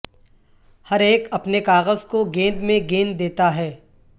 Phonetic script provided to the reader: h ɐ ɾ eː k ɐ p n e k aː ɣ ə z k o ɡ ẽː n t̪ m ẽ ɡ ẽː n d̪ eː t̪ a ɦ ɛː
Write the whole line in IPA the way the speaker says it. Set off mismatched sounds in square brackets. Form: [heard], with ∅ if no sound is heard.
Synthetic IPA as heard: h ɐ ɾ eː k ɐ p n e k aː ɣ ə z k o ɡ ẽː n [d̪] m ẽ ɡ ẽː n d̪ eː t̪ a ɦ ɛː